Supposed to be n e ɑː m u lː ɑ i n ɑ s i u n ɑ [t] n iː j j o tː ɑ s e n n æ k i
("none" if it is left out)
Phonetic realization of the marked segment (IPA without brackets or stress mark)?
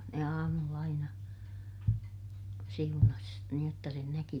s